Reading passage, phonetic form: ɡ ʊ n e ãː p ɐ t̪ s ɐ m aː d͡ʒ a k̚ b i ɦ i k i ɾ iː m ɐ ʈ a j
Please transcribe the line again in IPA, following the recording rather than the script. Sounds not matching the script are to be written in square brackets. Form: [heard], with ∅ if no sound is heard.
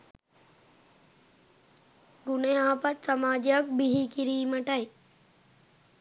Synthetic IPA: ɡ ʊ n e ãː p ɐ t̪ s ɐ m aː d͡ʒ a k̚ b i ɦ i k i ɾ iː m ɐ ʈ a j

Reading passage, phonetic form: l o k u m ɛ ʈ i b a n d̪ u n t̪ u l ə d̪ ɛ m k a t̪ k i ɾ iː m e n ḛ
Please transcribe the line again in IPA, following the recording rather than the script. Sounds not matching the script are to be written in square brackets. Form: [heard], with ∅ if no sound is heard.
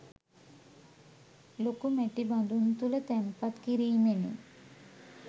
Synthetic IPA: l o k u m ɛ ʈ i b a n d̪ u n t̪ u l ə [t̪] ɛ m [p] a t̪ k i ɾ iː m e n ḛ

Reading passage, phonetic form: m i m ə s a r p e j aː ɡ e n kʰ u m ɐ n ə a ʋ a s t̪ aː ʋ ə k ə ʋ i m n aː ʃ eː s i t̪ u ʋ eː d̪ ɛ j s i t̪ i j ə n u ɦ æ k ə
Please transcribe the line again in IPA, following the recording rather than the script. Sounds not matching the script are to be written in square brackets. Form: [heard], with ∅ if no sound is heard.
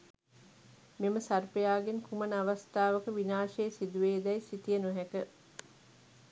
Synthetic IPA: m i m ə s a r p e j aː ɡ e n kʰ u m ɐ n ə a ʋ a s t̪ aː ʋ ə k ə ʋ i [∅] n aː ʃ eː s i [d̪] u ʋ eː d̪ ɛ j s i t̪ i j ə n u ɦ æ k ə

